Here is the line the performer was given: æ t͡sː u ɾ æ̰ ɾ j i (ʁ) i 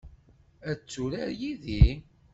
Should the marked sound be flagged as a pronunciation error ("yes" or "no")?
yes